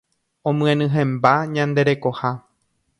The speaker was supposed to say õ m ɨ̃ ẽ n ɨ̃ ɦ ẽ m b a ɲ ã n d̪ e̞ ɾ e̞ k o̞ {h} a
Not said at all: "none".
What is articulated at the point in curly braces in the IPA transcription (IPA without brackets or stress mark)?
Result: h